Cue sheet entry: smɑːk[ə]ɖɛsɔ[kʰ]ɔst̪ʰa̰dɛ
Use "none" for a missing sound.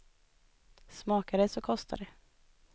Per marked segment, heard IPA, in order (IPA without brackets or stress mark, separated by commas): a, kʰ